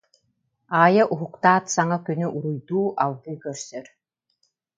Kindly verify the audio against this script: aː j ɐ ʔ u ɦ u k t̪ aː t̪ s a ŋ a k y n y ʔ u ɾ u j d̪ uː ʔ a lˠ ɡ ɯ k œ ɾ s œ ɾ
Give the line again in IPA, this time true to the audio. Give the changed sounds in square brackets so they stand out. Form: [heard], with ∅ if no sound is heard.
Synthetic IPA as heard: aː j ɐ ʔ u ɦ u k t̪ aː t̪ s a ŋ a k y n y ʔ u ɾ u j d̪ uː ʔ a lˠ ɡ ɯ k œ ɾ s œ ɾ